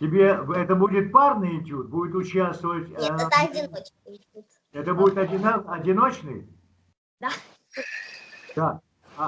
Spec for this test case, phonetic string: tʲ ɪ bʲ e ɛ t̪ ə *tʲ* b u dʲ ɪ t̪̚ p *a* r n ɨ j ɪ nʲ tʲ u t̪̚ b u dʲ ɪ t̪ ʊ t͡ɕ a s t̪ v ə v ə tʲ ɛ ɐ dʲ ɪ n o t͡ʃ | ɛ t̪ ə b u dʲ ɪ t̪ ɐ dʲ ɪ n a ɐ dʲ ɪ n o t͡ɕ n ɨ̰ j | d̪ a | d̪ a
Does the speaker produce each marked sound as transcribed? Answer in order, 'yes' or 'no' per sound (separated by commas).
no, yes